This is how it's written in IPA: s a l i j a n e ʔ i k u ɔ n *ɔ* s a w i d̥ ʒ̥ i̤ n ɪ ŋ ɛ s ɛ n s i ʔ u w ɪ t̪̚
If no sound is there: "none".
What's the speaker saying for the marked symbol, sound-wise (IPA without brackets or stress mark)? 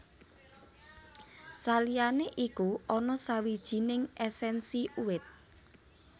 ɔ